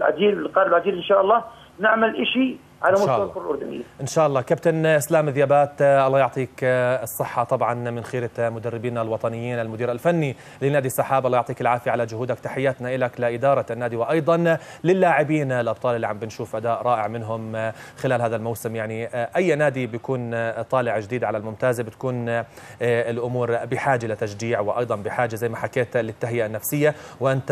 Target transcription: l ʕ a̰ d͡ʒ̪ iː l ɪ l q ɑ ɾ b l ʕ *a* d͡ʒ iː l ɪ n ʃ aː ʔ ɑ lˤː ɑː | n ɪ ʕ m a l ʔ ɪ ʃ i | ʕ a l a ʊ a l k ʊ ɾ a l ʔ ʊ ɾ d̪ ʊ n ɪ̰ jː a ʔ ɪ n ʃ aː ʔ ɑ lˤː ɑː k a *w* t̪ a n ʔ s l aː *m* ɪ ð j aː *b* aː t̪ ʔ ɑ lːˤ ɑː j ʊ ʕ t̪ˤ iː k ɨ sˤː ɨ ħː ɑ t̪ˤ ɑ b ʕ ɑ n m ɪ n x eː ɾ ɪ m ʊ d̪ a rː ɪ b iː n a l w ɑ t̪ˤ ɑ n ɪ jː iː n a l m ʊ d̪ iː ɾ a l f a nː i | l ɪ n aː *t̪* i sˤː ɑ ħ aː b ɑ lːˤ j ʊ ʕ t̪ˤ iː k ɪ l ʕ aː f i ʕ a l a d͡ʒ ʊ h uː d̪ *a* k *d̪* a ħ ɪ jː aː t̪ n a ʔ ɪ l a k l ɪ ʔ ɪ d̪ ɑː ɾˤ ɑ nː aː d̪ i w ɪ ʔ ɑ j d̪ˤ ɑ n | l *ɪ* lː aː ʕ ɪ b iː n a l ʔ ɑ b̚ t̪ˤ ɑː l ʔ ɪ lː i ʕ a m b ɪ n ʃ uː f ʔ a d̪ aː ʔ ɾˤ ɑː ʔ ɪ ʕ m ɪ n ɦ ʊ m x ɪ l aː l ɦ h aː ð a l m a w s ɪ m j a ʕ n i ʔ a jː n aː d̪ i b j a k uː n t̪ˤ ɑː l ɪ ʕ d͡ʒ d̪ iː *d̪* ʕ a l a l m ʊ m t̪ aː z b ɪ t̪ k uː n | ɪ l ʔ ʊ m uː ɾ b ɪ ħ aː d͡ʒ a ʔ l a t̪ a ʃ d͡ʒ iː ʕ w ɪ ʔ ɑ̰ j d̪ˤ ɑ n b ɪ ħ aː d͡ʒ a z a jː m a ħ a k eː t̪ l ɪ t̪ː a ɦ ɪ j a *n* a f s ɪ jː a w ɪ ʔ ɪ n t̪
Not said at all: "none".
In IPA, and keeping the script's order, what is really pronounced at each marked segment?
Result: a, b, m, b, d̪, a, t̪, ɪ, d̪, nː

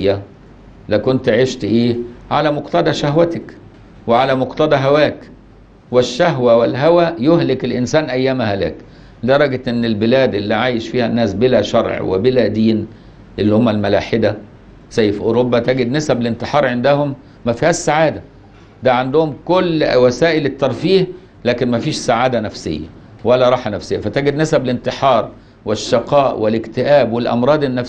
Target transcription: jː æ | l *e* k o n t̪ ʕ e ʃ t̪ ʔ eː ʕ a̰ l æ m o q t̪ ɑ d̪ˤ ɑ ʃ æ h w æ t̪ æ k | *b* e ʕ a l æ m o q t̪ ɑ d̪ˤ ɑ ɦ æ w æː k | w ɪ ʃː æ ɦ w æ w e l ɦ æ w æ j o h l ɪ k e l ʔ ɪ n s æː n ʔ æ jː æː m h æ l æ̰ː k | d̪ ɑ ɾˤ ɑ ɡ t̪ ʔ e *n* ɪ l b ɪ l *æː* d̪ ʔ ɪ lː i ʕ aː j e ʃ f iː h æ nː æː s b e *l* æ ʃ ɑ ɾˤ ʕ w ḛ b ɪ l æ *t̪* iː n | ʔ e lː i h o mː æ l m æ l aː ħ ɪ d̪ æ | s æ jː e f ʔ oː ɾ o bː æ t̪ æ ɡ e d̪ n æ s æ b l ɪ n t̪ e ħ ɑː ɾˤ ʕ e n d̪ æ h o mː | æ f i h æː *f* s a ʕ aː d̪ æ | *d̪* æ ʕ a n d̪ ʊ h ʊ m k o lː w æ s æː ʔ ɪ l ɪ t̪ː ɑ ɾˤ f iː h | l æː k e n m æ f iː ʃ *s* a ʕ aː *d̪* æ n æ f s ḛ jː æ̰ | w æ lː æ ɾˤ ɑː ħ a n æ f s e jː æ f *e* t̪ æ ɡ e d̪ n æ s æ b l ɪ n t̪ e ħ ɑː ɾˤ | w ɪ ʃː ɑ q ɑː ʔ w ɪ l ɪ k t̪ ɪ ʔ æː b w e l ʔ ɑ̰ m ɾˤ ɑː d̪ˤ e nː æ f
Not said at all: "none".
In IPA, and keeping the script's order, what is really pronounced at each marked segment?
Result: æ, w, nː, æː, l, d̪, ʃ, d̪, s, d̪, æ

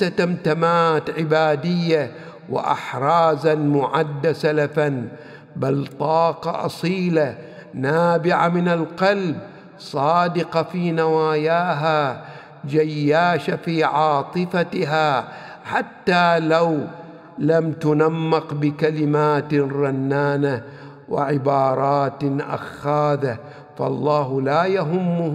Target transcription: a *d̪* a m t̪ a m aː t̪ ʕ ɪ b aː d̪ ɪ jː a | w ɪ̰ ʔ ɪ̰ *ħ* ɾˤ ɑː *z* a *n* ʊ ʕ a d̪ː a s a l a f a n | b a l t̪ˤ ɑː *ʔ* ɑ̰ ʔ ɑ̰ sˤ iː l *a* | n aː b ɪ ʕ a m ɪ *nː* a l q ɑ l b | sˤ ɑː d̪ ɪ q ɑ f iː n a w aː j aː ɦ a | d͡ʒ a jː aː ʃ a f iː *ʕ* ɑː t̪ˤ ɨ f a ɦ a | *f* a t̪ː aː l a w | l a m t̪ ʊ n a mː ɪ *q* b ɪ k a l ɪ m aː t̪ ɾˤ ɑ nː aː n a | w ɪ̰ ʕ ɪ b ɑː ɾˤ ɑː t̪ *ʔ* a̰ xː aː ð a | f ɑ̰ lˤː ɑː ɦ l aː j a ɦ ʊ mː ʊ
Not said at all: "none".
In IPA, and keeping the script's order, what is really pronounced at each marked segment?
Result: t̪, ħ, z, m, q, a, n, ʕ, ħ, q, ʔ

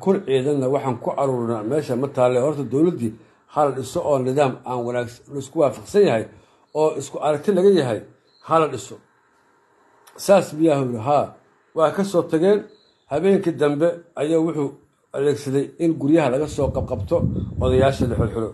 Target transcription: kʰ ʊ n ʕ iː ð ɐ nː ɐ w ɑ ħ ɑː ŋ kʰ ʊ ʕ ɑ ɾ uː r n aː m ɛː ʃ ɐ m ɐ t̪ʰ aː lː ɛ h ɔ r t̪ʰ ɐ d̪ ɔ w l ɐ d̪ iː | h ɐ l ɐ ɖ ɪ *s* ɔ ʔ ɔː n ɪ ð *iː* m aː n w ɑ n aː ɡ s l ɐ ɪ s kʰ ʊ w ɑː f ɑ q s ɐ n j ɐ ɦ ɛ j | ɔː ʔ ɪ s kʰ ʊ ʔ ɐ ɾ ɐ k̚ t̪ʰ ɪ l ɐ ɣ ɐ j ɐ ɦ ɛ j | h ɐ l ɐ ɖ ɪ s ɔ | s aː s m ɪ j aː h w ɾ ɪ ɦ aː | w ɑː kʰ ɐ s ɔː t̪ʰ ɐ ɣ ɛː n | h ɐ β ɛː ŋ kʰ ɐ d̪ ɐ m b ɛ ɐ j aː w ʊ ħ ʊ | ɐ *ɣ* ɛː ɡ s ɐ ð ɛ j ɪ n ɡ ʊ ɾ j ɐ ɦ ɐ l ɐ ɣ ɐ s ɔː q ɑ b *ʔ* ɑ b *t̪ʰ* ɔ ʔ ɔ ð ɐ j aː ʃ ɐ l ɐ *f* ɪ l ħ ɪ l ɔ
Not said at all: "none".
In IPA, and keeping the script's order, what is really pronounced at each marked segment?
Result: s, aː, ð, q, t̪ʰ, ħ

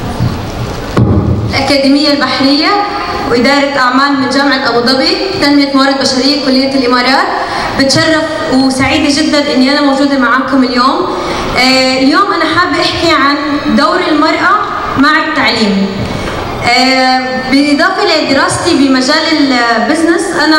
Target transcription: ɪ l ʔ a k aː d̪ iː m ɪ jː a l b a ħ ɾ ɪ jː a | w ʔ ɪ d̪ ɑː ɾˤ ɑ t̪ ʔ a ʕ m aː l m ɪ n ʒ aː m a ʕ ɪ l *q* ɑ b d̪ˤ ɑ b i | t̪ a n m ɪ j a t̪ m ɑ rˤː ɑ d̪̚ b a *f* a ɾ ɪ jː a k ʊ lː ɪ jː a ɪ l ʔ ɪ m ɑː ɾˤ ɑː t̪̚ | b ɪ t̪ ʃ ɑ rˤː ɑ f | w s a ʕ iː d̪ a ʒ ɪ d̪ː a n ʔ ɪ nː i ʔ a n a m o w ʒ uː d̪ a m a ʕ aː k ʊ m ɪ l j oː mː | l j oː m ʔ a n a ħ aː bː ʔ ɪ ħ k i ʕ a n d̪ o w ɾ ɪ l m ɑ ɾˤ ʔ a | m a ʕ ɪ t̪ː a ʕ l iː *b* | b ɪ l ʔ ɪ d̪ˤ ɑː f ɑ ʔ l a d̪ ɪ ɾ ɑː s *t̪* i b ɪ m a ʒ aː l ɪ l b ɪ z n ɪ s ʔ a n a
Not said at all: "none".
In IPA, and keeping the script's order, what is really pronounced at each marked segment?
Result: ʔ, ʃ, m, t̪

